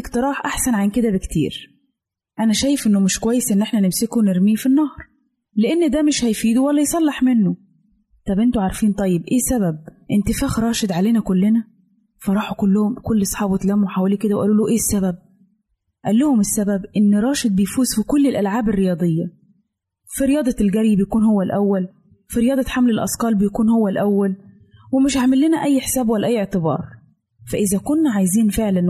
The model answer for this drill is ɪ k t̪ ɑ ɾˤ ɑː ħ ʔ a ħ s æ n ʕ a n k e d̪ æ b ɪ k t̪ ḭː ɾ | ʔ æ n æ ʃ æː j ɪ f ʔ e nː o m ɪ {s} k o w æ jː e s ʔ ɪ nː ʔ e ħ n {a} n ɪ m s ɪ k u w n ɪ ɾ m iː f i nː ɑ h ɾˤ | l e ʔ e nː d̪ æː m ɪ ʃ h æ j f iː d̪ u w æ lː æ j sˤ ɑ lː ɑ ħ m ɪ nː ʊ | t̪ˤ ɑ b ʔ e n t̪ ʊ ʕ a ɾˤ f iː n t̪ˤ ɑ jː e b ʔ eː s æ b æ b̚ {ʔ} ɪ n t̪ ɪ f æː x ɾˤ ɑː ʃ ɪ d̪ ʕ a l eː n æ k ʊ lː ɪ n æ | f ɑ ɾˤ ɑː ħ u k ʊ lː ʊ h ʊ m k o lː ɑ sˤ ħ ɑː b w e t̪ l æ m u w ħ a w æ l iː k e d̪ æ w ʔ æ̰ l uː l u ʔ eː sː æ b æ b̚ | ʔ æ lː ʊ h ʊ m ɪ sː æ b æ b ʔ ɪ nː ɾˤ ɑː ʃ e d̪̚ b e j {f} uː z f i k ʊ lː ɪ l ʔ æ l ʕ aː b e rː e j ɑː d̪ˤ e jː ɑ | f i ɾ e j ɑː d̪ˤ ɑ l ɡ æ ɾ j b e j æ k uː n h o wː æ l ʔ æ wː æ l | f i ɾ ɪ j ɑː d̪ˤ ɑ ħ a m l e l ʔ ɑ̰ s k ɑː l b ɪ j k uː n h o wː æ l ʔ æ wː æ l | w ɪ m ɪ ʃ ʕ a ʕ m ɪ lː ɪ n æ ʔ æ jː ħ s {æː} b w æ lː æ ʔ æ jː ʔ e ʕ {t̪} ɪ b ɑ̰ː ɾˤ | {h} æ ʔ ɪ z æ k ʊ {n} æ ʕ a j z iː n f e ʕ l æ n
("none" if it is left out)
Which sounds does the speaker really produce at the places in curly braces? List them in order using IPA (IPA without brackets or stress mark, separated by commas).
ʃ, æ, ʔ, f, æː, t̪, f, nː